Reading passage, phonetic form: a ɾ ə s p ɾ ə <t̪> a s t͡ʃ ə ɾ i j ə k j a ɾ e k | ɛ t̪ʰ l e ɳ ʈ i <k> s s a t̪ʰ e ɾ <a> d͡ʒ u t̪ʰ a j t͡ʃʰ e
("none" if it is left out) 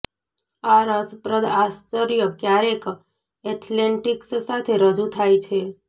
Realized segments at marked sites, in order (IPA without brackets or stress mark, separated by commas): d̪, k, ə